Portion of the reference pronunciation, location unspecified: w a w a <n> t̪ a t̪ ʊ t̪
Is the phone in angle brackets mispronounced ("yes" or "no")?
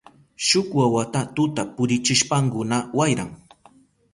yes